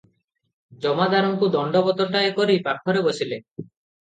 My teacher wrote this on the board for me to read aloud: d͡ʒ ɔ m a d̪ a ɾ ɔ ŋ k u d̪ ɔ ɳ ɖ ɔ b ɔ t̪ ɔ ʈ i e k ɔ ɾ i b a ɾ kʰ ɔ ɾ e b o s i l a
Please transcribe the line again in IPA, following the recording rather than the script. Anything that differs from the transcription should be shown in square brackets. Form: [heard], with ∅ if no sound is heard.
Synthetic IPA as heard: d͡ʒ ɔ m a d̪ a ɾ ɔ ŋ k u d̪ ɔ ɳ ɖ ɔ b ɔ t̪ ɔ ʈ [a] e k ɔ ɾ i [p] a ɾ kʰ ɔ ɾ e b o s i l [e]